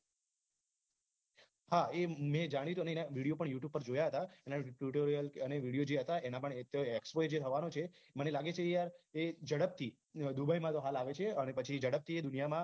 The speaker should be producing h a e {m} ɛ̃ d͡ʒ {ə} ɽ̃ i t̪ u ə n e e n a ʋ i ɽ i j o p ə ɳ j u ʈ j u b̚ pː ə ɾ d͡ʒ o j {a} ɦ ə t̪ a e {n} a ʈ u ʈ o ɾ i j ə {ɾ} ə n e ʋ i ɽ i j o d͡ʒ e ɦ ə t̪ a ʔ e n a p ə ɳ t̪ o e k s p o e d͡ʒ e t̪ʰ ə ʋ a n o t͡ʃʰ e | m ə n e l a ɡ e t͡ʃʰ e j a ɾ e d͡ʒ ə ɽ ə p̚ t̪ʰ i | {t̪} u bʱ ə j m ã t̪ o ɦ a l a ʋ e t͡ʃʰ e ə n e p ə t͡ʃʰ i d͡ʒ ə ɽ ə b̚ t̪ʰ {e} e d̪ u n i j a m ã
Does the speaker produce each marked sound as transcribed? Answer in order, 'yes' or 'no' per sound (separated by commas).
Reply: yes, no, yes, yes, no, no, no